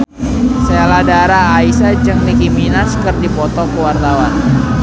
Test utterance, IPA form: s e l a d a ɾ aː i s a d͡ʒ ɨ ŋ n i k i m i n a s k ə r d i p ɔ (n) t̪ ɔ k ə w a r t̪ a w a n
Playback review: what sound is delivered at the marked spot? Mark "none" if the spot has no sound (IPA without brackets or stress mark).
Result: none